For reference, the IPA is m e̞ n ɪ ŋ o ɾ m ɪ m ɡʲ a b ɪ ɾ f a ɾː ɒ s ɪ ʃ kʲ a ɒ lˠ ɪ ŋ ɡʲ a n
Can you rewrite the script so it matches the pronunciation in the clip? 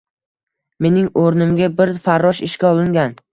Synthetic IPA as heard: m e̞ n ɪ ŋ o ɾ n ɪ m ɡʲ a b ɪ ɾ f a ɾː ɒ ʃ ɪ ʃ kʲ a ɒ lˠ ɪ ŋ ɡʲ a n